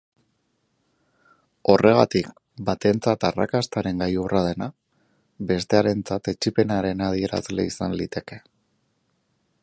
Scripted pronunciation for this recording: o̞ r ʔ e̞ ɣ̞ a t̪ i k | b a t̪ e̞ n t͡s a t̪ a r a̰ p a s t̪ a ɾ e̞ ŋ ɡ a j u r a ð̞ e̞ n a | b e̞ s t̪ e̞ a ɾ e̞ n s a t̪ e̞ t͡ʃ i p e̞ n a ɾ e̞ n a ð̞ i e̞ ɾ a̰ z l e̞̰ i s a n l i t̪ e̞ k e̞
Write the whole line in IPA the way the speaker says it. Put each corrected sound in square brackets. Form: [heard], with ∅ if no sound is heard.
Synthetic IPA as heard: o̞ r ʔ e̞ ɣ̞ a t̪ i k | b a t̪ e̞ n t͡s a t̪ a r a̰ [k] a s t̪ a ɾ e̞ ŋ ɡ a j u r a ð̞ e̞ n a | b e̞ s t̪ e̞ a ɾ e̞ n [t͡s] a t̪ e̞ t͡ʃ i p e̞ n a ɾ e̞ n a ð̞ i e̞ ɾ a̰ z l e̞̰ i s a n l i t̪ e̞ k e̞

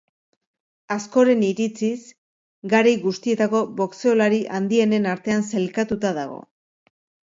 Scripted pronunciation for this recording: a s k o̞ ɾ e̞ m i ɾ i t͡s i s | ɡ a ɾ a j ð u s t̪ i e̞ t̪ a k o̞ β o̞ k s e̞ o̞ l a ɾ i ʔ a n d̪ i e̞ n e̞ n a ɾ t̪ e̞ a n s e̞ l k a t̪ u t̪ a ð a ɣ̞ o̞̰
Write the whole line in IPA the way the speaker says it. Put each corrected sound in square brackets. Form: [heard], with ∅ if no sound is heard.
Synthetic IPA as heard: a s k o̞ ɾ e̞ [n] i ɾ i t͡s i s | ɡ a ɾ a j [ɣ] u s t̪ i e̞ t̪ a k o̞ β o̞ k s e̞ o̞ l a ɾ i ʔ a n d̪ i e̞ n e̞ n a ɾ t̪ e̞ a n s e̞ l k a t̪ u t̪ a ð a ɣ̞ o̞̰

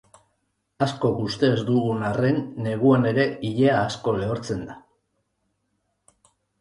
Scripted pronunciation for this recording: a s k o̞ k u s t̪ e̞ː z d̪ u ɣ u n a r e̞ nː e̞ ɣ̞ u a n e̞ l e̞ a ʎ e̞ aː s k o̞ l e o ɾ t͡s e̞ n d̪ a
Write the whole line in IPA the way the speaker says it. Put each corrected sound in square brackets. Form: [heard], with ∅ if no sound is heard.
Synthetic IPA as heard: a s k o̞ k u s t̪ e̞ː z d̪ u ɣ u n a r e̞ nː e̞ ɣ̞ u a n e̞ [ɾ] e̞ [i] ʎ e̞ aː s k o̞ l e o ɾ t͡s e̞ n d̪ a

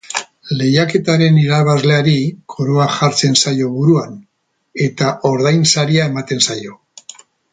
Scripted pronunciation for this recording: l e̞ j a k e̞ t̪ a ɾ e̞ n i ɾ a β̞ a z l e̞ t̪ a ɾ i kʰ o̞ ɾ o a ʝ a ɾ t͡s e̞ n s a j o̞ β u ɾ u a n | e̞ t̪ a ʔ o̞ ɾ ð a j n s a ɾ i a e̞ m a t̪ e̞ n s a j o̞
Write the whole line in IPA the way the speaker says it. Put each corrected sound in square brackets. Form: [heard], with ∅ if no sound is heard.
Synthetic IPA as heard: l e̞ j a k e̞ t̪ a ɾ e̞ n i ɾ a β̞ a z l e̞ [∅] a ɾ i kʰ o̞ ɾ o a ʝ a ɾ t͡s e̞ n s a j o̞ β u ɾ u a n | e̞ t̪ a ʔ o̞ ɾ ð a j n s a ɾ i a e̞ m a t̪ e̞ n s a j o̞

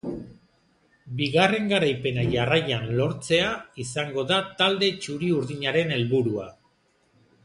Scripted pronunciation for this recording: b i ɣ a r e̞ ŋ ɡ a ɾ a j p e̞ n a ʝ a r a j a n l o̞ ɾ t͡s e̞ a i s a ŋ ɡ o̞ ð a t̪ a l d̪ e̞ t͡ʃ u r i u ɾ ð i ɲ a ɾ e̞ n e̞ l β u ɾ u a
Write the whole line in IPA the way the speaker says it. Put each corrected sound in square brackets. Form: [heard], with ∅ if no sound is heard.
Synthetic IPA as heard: b i ɣ a r e̞ ŋ ɡ a ɾ a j p e̞ n a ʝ a r a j a n l o̞ ɾ t͡s e̞ a i s a ŋ ɡ o̞ ð a t̪ a l d̪ e̞ t͡ʃ u [ɾ] i u ɾ ð i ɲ a ɾ e̞ n e̞ l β u ɾ u a

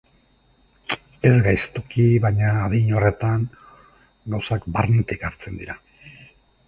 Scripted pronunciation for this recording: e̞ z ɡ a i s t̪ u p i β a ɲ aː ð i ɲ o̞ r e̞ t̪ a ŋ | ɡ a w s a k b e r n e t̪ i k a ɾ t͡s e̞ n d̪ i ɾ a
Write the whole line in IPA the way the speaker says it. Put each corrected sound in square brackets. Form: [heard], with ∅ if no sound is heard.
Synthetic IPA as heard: e̞ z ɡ a [j] s t̪ u [k] i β a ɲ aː ð i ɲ o̞ r e̞ t̪ a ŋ | ɡ a w s a k b [a] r n e t̪ i k a ɾ t͡s e̞ n d̪ i ɾ a

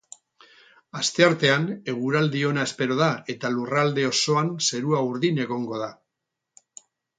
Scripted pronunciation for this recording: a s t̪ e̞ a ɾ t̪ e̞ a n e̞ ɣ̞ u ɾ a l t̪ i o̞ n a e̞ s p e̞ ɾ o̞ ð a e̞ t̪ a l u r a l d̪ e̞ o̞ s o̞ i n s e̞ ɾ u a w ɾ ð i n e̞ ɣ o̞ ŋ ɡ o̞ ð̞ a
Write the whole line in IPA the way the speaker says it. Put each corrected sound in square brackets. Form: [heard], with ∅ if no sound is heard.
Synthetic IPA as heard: a s t̪ e̞ a ɾ t̪ e̞ a n e̞ ɣ̞ u ɾ a l [d̪] i o̞ n a e̞ s p e̞ ɾ o̞ ð a e̞ t̪ a l u r a l d̪ e̞ o̞ s o̞ [a] n s e̞ ɾ u a [u] ɾ ð i n e̞ ɣ o̞ ŋ ɡ o̞ ð̞ a

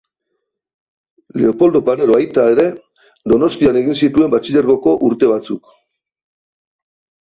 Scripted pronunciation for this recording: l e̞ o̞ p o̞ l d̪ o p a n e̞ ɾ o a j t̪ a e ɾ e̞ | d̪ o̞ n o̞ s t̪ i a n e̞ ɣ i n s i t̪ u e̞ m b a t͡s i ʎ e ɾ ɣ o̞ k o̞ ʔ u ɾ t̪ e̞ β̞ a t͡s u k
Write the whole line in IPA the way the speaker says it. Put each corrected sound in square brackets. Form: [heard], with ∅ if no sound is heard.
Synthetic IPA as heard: l e̞ o̞ p o̞ l d̪ o p a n e̞ ɾ o a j t̪ a e ɾ e̞ | d̪ o̞ n o̞ s t̪ i a n e̞ ɣ i n s i t̪ u e̞ m b a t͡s i ʎ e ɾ ɣ o̞ k o̞ ʔ u ɾ t̪ e̞ β̞ a t͡s u k

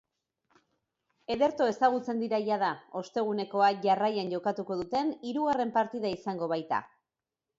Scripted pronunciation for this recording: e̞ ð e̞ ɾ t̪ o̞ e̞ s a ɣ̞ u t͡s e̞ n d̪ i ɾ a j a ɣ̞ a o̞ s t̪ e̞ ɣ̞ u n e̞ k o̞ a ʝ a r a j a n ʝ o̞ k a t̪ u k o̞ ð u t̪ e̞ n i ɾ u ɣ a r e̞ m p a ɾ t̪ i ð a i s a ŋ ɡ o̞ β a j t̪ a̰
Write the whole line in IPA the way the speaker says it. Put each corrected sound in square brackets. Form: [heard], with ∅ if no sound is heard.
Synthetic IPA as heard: e̞ ð e̞ ɾ t̪ o̞ e̞ s a ɣ̞ u t͡s e̞ n d̪ i ɾ a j a [ð̞] a o̞ s t̪ e̞ ɣ̞ u n e̞ k o̞ a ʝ a r a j a n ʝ o̞ k a t̪ u k o̞ ð u t̪ e̞ n i ɾ u ɣ a r e̞ m p a ɾ t̪ i ð a i s a ŋ ɡ o̞ β a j t̪ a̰

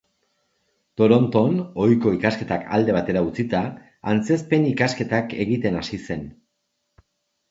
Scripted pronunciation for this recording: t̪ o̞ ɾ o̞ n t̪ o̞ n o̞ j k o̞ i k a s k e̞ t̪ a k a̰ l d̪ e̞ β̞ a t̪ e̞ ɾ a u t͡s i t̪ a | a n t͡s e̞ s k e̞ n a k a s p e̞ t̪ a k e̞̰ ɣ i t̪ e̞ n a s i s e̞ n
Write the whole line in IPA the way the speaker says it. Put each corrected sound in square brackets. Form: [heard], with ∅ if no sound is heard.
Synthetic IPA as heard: t̪ o̞ ɾ o̞ n t̪ o̞ n o̞ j k o̞ i k a s k e̞ t̪ a k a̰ l d̪ e̞ β̞ a t̪ e̞ ɾ a u t͡s i t̪ a | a n t͡s e̞ s [p] e̞ n [i] k a s [k] e̞ t̪ a k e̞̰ ɣ i t̪ e̞ n a s i s e̞ n

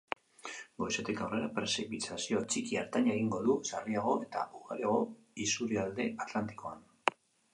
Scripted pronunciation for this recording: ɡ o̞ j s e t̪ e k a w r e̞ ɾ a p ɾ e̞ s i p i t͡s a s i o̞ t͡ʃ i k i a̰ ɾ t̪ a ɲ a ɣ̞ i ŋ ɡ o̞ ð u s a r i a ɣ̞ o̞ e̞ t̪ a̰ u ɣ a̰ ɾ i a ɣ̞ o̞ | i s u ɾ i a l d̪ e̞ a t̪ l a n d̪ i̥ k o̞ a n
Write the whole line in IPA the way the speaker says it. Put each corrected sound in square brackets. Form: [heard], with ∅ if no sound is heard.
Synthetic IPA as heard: ɡ o̞ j s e t̪ e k a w r e̞ ɾ a p ɾ e̞ s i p i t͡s a s i o̞ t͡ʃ i k i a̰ ɾ t̪ a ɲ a ɣ̞ i ŋ ɡ o̞ ð u s a r i a ɣ̞ o̞ e̞ t̪ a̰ u ɣ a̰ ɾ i a ɣ̞ o̞ | i s u ɾ i a l d̪ e̞ a t̪ l a n [t̪] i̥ k o̞ a n

